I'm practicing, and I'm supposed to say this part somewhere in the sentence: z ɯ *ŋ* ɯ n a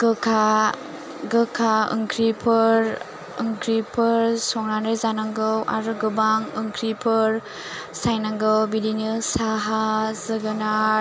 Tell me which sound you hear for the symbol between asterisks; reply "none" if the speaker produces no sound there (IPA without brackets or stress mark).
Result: ɡ